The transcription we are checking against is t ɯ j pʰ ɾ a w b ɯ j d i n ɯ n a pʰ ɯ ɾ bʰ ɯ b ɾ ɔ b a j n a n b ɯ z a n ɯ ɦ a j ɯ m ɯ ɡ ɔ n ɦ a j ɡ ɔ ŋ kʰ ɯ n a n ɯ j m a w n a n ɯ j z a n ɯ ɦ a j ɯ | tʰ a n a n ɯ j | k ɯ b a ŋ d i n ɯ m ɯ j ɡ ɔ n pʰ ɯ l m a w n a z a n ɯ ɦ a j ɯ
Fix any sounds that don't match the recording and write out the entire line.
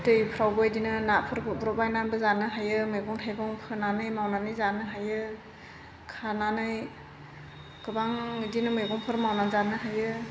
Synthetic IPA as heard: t ɯ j pʰ ɾ a w b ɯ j d i n ɯ n a pʰ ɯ ɾ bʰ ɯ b ɾ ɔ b a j n a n b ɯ z a n ɯ ɦ a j ɯ m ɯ ɡ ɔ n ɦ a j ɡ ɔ ŋ pʰ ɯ n a n ɯ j m a w n a n ɯ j z a n ɯ ɦ a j ɯ | kʰ a n a n ɯ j | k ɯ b a ŋ d i n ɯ m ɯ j ɡ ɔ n pʰ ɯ ɾ m a w n a z a n ɯ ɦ a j ɯ